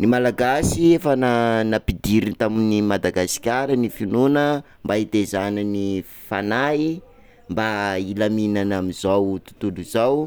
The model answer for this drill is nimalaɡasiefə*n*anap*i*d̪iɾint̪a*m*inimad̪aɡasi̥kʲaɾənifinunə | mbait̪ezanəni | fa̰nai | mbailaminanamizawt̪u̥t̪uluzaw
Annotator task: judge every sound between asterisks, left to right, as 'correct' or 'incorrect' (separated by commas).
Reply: correct, correct, correct